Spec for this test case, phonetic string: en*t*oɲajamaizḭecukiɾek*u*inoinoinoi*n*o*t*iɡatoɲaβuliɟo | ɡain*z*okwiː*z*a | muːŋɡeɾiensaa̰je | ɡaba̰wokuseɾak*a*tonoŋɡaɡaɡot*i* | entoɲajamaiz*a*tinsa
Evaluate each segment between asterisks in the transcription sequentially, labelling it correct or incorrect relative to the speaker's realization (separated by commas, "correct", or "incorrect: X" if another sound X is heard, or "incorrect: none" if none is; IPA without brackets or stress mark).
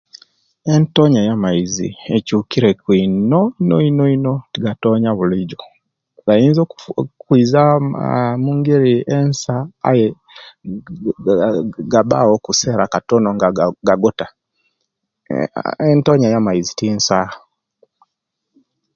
correct, incorrect: w, correct, correct, correct, correct, correct, incorrect: a, incorrect: i